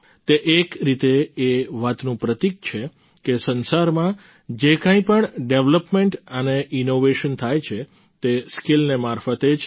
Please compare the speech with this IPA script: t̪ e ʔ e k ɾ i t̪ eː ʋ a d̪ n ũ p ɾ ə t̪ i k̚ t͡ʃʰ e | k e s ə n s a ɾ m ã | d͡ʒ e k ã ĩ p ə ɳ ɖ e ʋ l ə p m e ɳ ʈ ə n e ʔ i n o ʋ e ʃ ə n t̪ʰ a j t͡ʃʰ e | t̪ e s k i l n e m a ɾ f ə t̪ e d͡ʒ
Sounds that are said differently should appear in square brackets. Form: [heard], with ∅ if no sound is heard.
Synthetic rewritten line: t̪ e ʔ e k ɾ i t̪ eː ʋ a [t̪] n ũ p ɾ ə t̪ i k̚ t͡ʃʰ e | k e s ə n s a ɾ m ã | d͡ʒ e k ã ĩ p ə ɳ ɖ e ʋ l ə p m e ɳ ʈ ə n e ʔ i n o ʋ e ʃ ə n t̪ʰ a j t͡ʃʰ e | t̪ e s k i l n e m a ɾ f ə t̪ e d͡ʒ

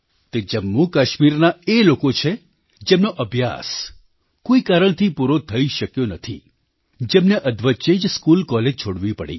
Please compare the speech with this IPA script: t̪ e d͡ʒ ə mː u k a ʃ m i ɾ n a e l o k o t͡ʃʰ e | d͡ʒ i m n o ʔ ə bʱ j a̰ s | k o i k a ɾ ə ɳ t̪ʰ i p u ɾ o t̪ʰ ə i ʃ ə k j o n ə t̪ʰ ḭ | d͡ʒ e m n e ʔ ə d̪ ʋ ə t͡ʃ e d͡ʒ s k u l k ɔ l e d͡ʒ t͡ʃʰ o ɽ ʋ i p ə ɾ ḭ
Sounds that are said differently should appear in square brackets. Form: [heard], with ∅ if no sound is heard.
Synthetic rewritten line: t̪ e d͡ʒ ə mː u k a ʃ m i ɾ n a e l o k o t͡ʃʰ e | d͡ʒ [e] m n o ʔ ə bʱ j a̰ s | k o i k a ɾ ə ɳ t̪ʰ i p u ɾ o t̪ʰ ə i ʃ ə k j o n ə t̪ʰ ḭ | d͡ʒ e m n e ʔ ə d̪ ʋ ə t͡ʃ e d͡ʒ s k u l k ɔ l e d͡ʒ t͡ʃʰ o ɽ ʋ i p ə [ɽ] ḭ

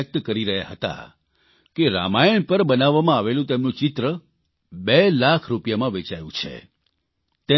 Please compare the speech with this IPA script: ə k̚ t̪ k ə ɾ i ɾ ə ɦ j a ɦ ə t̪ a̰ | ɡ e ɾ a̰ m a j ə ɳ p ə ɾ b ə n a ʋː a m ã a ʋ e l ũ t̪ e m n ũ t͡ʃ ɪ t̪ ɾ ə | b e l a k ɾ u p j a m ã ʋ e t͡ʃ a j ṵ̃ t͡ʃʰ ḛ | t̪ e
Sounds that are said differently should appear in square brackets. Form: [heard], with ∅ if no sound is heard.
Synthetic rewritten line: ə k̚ t̪ k ə ɾ i ɾ ə ɦ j a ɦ ə t̪ a̰ | [k] e ɾ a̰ m a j ə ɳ p ə ɾ b ə n a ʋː a m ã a ʋ e l ũ t̪ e m n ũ t͡ʃ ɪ t̪ ɾ ə | b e l a [kʰ] ɾ u p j a m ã ʋ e t͡ʃ a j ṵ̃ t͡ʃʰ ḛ | t̪ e

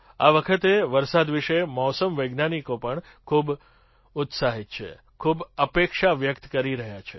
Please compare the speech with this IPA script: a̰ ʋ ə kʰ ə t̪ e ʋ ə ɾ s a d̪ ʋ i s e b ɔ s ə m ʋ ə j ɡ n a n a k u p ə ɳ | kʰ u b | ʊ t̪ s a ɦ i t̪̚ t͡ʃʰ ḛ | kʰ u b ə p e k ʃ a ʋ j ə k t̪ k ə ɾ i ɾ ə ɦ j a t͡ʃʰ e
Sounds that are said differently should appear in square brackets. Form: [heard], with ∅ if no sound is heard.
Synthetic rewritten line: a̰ ʋ ə kʰ ə t̪ e ʋ ə ɾ s a d̪ ʋ i [ʃ] e [m] ɔ s ə m ʋ ə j ɡ n a n [i] k [o] p ə ɳ | kʰ u b | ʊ t̪ s a ɦ i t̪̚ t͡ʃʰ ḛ | kʰ u b ə p e k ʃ a ʋ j ə k t̪ k ə ɾ i ɾ ə ɦ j a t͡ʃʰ e

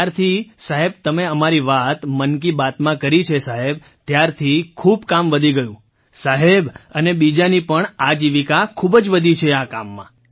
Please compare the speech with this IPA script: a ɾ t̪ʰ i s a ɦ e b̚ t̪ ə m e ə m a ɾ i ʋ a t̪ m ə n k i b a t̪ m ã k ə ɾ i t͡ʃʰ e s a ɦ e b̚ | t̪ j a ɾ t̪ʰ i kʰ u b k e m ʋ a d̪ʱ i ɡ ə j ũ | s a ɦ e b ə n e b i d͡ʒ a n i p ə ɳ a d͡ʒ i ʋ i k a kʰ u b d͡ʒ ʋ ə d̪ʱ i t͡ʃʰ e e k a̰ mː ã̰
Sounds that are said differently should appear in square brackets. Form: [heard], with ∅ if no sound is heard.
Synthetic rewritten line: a ɾ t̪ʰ i s a ɦ e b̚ t̪ ə m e ə m a ɾ i ʋ a t̪ m ə n k i b a t̪ m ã k ə ɾ i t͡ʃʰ e s a ɦ e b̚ | t̪ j a ɾ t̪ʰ i kʰ u b k [a] m ʋ [ə] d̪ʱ i ɡ ə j ũ | s a ɦ e b ə n e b i d͡ʒ a n i p ə ɳ a d͡ʒ i ʋ i k a kʰ u b d͡ʒ ʋ ə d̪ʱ i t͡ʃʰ e [a] k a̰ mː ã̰

